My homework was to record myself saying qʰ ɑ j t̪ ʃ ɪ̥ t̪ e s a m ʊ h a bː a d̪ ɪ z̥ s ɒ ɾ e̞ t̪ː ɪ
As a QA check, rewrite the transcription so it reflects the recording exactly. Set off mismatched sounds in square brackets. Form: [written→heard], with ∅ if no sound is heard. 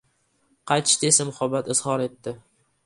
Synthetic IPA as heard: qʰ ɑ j t̪ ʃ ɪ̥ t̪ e s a m ʊ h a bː a [d̪→t̪] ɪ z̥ [s→h] ɒ ɾ e̞ t̪ː ɪ